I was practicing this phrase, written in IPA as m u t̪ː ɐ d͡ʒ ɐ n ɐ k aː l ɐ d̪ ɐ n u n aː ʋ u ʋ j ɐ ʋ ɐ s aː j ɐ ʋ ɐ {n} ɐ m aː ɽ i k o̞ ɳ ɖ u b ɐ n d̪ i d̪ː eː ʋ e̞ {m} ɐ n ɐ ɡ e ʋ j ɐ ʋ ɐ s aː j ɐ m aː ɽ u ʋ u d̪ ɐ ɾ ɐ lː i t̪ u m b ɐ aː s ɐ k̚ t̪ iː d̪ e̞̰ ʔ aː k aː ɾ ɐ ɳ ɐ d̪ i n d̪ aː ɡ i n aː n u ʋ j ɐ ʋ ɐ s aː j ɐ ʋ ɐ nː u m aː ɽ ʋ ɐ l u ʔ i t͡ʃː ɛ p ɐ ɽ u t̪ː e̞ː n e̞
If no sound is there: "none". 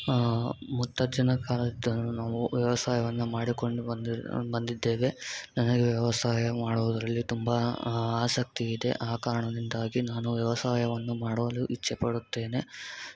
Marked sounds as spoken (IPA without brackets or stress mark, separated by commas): nː, n